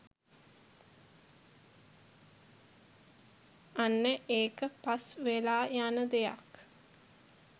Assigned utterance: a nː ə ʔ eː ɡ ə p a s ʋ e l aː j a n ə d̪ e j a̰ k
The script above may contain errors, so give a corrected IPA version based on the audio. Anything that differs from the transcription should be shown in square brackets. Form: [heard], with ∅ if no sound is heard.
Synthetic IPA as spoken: a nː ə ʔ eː [k] ə p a s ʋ e l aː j a n ə d̪ e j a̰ k